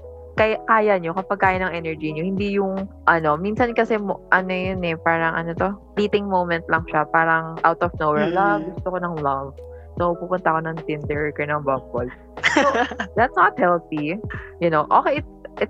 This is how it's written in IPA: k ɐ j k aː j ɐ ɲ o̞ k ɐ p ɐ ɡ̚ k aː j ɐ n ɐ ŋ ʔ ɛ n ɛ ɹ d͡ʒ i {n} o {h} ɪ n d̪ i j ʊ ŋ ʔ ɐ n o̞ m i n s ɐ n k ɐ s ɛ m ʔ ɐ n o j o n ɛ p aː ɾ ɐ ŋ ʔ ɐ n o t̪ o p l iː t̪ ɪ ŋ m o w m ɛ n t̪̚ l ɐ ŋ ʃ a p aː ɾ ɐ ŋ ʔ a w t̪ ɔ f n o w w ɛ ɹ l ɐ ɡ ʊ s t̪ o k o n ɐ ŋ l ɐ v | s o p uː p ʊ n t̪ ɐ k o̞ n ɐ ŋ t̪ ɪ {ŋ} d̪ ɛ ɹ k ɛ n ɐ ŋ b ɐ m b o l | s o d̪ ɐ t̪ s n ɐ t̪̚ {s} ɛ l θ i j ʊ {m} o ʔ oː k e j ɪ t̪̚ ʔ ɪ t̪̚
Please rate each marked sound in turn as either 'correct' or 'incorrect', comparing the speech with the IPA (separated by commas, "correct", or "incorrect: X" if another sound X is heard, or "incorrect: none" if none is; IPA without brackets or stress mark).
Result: incorrect: ɲ, correct, incorrect: n, incorrect: h, incorrect: n